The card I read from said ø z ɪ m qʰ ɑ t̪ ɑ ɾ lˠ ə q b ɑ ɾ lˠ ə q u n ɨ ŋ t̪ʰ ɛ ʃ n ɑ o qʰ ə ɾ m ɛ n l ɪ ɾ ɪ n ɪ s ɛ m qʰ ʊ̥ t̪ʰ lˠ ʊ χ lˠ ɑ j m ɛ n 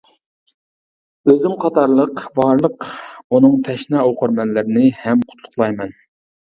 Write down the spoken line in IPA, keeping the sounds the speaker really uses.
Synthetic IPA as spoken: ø z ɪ m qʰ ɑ t̪ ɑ ɾ lˠ ə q b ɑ ɾ lˠ ə q u n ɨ ŋ t̪ʰ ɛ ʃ n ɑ o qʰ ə ɾ m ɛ n l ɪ ɾ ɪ n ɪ h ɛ m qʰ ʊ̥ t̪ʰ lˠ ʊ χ lˠ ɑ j m ɛ n

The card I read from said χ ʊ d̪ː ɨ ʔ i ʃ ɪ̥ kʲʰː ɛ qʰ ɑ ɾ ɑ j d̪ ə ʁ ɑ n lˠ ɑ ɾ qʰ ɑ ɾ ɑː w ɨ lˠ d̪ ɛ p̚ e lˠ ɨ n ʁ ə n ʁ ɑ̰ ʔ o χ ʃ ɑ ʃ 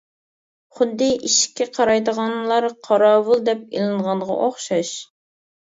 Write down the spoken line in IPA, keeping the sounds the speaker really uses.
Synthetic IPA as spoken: χ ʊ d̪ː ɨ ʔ i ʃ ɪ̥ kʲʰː ɛ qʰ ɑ ɾ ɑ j d̪ ə ʁ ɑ n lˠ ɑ ɾ qʰ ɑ ɾ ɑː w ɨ lˠ d̪ ɛ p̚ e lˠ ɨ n ʁ ɑ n ʁ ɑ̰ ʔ o χ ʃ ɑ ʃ

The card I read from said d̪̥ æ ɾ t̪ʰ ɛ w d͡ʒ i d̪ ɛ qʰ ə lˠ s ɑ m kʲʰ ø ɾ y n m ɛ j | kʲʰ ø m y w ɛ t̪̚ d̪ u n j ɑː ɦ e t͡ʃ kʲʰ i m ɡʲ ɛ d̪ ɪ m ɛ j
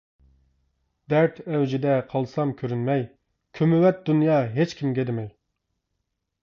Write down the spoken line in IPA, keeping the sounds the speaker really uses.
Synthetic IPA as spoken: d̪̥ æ ɾ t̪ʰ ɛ w d͡ʒ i d̪ ɛ qʰ ɑ lˠ s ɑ m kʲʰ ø ɾ y n m ɛ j | kʲʰ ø m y w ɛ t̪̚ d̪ u n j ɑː ɦ e t͡ʃ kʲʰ i m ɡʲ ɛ d̪ ɪ m ɛ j

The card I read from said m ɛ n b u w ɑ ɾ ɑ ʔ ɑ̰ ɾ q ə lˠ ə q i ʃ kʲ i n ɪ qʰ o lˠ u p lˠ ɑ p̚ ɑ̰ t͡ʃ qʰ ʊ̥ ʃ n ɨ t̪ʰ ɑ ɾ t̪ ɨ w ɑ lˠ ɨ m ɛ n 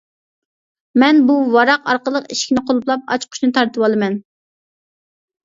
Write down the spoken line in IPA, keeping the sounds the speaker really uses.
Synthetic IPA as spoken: m ɛ n b u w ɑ ɾ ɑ q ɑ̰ ɾ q ə lˠ ə q i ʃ kʲ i n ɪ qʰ o lˠ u p lˠ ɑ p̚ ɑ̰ t͡ʃ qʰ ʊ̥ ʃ n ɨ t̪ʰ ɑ ɾ t̪ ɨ w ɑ lˠ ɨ m ɛ n

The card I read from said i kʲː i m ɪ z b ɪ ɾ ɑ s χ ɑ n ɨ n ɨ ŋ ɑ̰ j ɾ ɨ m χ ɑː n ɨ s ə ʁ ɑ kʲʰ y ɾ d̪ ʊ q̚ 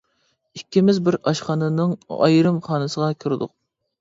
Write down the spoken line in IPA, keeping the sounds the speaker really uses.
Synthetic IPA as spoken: i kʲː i m ɪ z b ɪ ɾ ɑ ʃ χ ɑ n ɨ n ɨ ŋ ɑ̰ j ɾ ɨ m χ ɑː n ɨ s ə ʁ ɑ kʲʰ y ɾ d̪ ʊ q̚

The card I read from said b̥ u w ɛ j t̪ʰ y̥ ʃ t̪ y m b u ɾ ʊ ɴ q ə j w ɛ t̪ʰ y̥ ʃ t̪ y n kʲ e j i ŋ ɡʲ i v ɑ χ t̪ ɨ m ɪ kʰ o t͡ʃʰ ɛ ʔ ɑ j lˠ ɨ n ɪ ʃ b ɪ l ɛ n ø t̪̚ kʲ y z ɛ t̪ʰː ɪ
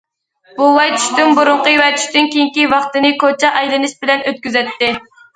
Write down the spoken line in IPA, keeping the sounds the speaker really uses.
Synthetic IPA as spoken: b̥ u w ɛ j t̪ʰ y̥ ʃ t̪ y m b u ɾ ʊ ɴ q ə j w ɛ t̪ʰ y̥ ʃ t̪ y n kʲ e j i ŋ kʲ i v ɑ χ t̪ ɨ n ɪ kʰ o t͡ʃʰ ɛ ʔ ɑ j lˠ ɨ n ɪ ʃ b ɪ l ɛ n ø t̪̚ kʲ y z ɛ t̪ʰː ɪ

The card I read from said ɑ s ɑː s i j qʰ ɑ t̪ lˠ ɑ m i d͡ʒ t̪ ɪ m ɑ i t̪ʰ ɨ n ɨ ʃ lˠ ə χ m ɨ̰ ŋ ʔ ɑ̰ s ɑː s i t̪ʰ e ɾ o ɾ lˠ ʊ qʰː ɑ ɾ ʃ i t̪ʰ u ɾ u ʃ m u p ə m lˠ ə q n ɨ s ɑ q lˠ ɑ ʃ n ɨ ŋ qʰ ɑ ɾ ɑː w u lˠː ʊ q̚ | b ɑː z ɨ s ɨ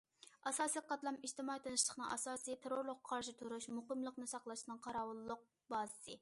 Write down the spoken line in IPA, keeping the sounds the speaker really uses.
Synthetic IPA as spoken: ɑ s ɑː s i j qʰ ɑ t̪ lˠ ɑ m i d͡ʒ t̪ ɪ m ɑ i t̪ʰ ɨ n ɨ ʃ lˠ ə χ n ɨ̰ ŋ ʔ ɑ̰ s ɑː s i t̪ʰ e ɾ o ɾ lˠ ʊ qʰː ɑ ɾ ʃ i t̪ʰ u ɾ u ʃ m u q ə m lˠ ə q n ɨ s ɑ q lˠ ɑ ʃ n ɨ ŋ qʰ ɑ ɾ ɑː w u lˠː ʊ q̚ | b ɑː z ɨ s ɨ

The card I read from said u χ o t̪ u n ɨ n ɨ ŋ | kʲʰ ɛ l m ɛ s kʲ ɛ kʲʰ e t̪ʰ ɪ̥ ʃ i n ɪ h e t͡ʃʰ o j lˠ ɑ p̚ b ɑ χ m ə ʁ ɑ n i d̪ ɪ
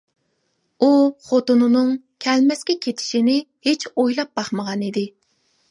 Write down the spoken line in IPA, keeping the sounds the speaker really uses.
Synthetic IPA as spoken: u χ o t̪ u n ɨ n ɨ ŋ | kʲʰ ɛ l m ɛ s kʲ ɛ kʲʰ e t̪ʰ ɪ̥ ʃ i n ɪ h e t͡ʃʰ o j lˠ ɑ p̚ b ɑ χ m ə ʁ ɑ n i d̪ ɪ

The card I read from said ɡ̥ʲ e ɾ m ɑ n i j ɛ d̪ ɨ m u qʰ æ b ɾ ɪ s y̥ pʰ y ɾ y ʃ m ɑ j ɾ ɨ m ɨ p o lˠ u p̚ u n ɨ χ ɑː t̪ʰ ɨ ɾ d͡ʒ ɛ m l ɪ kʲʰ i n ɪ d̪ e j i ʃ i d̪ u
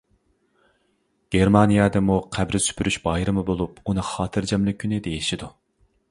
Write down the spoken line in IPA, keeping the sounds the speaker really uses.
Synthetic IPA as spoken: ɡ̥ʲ e ɾ m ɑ n i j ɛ d̪ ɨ m u qʰ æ b ɾ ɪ s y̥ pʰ y ɾ y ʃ b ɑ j ɾ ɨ m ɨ b o lˠ u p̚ u n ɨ χ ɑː t̪ʰ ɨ ɾ d͡ʒ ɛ m l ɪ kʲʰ y n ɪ d̪ e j i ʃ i d̪ u

